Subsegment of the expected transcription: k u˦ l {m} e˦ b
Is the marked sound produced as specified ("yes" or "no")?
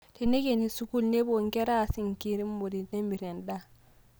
no